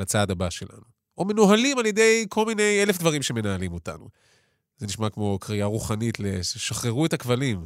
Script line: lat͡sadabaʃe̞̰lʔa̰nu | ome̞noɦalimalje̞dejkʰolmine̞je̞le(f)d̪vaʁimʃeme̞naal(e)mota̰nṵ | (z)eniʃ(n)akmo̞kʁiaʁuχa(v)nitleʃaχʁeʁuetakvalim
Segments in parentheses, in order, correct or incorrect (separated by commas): correct, incorrect, correct, incorrect, incorrect